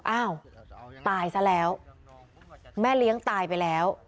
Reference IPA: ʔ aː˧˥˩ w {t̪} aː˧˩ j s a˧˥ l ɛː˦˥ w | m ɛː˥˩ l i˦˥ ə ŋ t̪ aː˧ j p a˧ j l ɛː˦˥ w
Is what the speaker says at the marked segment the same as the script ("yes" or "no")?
yes